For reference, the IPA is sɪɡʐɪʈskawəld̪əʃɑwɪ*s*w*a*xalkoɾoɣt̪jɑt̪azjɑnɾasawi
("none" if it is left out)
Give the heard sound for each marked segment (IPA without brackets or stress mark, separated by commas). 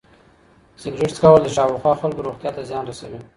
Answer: x, ɑ